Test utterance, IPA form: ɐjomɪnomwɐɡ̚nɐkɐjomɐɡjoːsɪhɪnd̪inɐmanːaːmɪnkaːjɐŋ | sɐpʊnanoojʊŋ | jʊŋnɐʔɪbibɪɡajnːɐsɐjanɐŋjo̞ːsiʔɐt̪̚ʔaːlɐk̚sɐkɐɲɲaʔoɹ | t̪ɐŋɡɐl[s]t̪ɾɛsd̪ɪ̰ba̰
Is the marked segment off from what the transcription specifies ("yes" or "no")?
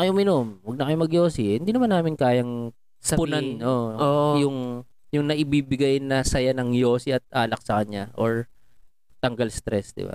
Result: no